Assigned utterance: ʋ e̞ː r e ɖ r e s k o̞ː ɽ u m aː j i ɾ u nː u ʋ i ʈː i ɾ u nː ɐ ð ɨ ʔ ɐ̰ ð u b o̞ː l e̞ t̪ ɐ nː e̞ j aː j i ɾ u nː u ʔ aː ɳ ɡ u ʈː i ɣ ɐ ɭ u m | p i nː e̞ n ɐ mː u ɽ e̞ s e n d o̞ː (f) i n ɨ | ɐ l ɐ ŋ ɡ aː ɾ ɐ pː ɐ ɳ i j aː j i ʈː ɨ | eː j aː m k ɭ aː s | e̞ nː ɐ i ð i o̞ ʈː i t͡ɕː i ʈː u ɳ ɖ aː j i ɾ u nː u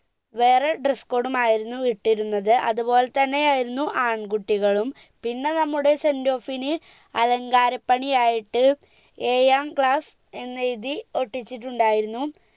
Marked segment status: correct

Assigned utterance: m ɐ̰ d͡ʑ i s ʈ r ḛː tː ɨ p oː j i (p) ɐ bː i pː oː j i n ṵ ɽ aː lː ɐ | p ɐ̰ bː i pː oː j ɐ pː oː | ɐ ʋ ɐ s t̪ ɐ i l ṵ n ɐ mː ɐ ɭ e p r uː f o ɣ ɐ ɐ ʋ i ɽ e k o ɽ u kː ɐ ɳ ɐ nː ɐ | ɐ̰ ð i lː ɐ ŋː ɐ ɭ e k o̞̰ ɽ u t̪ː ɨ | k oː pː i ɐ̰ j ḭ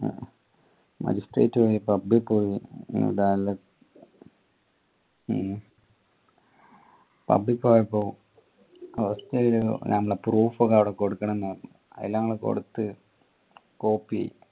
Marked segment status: correct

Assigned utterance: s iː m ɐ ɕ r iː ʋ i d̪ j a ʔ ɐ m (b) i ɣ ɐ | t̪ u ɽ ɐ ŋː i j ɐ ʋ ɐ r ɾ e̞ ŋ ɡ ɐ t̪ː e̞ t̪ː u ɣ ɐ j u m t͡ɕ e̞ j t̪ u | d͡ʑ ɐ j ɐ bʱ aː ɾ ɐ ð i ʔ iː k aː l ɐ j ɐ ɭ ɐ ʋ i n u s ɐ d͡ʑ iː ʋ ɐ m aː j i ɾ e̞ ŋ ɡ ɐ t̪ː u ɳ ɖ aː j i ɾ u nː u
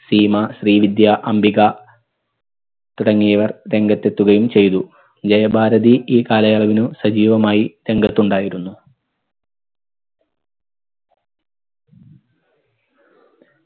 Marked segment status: correct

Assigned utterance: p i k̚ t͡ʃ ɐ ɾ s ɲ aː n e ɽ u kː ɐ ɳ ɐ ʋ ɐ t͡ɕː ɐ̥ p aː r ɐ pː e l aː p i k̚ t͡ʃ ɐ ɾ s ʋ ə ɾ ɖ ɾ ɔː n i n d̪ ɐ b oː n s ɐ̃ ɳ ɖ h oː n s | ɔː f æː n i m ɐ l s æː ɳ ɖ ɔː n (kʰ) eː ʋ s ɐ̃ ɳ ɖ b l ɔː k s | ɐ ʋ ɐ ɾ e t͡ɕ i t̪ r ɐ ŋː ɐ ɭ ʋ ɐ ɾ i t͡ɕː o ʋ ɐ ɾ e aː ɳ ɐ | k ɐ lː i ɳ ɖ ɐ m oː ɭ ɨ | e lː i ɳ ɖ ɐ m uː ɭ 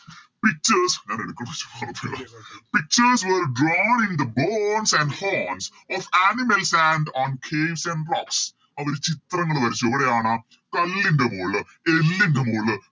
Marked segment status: correct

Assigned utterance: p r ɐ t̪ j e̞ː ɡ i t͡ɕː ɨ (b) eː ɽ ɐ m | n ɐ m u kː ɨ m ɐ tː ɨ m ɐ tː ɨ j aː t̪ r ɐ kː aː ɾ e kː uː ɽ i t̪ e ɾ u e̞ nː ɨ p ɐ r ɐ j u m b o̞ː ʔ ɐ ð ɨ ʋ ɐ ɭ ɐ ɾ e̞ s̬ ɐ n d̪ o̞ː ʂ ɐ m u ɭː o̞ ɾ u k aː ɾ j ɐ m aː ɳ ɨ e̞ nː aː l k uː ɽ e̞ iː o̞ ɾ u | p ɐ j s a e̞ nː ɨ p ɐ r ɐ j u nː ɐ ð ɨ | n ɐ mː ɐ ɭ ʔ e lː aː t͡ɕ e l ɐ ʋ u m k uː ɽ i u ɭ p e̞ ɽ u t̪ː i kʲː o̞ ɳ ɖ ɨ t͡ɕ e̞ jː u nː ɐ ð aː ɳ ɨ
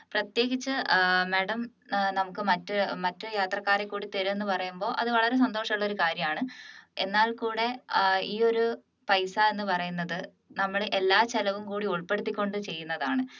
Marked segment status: incorrect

